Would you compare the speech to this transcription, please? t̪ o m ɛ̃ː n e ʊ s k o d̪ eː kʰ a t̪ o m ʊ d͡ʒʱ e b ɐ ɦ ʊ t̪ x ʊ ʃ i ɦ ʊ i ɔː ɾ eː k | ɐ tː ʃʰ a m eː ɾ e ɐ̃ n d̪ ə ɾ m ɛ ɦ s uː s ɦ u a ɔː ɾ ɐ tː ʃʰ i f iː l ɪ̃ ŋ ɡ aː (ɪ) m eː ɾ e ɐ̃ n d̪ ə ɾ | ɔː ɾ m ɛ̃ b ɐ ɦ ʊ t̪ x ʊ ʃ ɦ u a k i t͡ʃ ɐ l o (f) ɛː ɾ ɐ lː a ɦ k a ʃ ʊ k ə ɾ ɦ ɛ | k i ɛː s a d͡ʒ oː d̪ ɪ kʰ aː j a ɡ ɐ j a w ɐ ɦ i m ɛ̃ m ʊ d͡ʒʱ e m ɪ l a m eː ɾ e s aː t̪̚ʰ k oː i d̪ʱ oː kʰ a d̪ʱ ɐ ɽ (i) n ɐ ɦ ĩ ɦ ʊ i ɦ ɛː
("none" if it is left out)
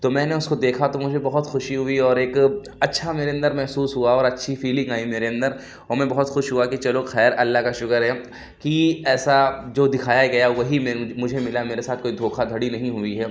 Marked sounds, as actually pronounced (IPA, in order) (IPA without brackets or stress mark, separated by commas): i, x, i